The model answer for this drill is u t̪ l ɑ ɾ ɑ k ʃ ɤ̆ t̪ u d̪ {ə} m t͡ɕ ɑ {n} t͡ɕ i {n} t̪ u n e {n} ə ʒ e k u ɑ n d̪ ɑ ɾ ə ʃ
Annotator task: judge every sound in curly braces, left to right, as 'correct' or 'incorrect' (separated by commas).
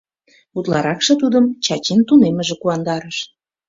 correct, incorrect, correct, incorrect